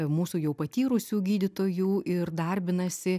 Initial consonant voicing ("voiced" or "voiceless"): voiced